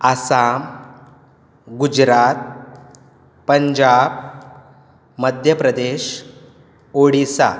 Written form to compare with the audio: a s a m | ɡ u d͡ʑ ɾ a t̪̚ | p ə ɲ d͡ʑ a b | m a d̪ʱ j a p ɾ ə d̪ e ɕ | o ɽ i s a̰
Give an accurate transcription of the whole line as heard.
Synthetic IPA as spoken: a s a m | ɡ u d͡ʑ ɾ a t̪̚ | p ə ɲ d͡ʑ a b | m ə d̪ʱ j ə p ɾ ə d̪ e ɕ | o ɽ i s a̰